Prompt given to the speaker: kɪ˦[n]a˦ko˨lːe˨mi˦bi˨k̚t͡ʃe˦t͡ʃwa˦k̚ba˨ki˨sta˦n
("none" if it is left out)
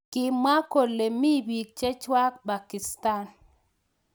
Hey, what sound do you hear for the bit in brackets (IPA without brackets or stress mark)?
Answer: m